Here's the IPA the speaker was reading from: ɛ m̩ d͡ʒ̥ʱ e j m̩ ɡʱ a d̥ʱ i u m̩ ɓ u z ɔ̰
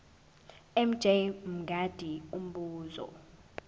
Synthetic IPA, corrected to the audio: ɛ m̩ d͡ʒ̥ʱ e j m̩ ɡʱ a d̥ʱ i u m̩ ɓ uː z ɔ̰